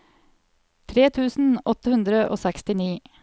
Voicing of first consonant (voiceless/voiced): voiceless